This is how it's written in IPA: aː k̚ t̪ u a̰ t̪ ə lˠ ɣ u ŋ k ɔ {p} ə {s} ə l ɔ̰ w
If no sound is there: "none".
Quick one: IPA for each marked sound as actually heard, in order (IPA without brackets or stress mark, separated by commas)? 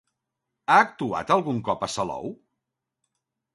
p, s